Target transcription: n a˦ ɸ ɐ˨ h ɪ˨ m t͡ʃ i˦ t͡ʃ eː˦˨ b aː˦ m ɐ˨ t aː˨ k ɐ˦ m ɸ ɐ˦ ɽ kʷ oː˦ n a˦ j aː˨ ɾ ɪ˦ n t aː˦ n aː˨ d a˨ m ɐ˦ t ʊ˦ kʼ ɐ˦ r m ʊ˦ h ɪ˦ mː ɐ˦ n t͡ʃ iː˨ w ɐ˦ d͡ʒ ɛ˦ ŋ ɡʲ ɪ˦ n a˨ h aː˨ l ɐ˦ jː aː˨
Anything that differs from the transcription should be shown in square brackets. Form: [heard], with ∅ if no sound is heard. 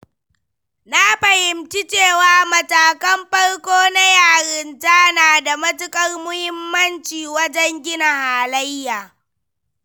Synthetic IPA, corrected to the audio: n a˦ ɸ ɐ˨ h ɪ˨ m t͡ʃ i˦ t͡ʃ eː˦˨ [w] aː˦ m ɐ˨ t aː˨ k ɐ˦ m ɸ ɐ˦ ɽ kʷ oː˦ n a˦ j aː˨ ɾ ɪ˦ n t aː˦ n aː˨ d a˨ m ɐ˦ t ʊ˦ kʼ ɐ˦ r m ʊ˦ h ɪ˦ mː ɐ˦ n t͡ʃ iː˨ w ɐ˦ d͡ʒ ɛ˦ ŋ ɡʲ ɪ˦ n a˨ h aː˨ l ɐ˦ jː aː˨

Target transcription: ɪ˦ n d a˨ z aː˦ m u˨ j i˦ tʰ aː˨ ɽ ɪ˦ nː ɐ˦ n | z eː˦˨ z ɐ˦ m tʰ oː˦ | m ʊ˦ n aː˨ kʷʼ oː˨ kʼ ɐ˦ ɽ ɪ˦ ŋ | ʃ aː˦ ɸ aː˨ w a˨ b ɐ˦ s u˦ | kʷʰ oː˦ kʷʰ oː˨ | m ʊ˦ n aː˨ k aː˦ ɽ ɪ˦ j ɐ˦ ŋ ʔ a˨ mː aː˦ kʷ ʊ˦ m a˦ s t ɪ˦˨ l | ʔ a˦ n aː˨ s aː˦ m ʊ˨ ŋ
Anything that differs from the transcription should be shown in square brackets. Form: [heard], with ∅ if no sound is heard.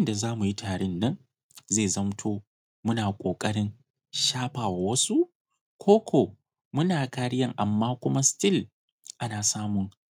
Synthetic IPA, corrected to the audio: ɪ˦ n d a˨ z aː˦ m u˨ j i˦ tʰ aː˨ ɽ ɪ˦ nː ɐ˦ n | z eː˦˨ z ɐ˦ m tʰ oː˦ | m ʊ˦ n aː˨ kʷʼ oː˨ kʼ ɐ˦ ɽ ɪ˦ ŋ | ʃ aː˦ ɸ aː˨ w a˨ [w] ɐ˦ s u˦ | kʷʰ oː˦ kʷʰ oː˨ | m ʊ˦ n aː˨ k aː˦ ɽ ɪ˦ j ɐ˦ ŋ ʔ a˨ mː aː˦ kʷ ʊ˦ m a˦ s t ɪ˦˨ l | ʔ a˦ n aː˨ s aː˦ m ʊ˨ ŋ

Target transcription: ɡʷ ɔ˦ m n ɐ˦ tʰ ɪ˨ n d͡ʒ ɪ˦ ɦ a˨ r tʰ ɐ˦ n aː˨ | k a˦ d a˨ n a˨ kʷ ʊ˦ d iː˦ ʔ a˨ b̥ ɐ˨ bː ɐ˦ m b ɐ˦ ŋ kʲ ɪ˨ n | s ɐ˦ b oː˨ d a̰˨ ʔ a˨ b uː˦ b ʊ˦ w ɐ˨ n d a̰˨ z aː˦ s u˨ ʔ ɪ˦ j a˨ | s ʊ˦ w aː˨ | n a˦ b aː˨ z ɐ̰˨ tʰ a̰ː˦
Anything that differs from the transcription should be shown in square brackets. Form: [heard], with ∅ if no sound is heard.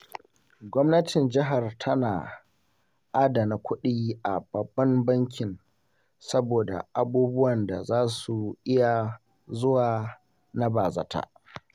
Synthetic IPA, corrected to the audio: ɡʷ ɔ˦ m n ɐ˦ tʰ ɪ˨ n d͡ʒ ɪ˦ ɦ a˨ r tʰ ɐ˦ n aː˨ | [ʔ] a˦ d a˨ n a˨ kʷ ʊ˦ [ɗ] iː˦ ʔ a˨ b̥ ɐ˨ bː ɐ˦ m b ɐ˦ ŋ kʲ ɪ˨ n | s ɐ˦ b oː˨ d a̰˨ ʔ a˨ b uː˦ b ʊ˦ w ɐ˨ n d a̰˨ z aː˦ s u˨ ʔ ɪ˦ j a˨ | [z] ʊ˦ w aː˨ | n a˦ b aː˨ z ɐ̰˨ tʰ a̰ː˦

